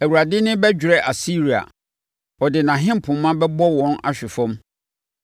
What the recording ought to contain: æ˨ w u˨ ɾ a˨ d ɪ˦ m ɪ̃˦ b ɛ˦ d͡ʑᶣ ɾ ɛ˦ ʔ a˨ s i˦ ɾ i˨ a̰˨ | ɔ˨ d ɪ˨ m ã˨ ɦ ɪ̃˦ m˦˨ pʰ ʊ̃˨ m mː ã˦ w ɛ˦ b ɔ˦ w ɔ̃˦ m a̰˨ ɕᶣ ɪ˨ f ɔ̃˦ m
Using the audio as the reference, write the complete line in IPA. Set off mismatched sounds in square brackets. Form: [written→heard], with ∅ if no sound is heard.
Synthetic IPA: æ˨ w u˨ ɾ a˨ d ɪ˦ [m→n] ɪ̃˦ b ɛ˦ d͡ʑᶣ ɾ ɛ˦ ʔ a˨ s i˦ ɾ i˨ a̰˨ | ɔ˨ d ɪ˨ [m→n] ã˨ ɦ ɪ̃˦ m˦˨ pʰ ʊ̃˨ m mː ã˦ [w→b] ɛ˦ b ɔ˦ w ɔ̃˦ [m→n] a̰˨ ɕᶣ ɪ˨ f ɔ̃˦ m